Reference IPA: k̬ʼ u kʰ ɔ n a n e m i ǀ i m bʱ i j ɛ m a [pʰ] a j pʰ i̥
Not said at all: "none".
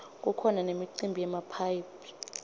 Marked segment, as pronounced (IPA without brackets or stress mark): pʰ